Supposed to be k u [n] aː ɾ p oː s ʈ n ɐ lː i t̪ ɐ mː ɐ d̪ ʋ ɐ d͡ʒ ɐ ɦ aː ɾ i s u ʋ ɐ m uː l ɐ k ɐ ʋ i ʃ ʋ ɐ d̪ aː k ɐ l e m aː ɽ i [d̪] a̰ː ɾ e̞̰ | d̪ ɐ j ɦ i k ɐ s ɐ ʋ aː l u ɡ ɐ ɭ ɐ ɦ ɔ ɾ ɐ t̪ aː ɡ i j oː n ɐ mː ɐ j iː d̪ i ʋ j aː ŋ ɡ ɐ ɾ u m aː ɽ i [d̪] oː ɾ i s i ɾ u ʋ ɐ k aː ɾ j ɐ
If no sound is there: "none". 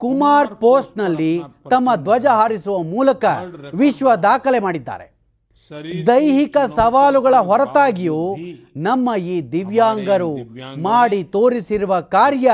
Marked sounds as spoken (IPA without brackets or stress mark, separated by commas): m, d̪ː, t̪